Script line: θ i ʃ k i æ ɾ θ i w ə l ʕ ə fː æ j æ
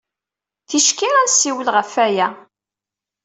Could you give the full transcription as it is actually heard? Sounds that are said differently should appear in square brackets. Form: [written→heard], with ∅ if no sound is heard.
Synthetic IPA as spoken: θ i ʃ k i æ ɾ [θ→s] i w ə l [ʕ→ʁ] ə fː æ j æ